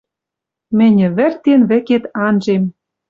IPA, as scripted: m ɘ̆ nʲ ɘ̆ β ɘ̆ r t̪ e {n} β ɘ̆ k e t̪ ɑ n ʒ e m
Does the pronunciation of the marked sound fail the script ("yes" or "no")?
no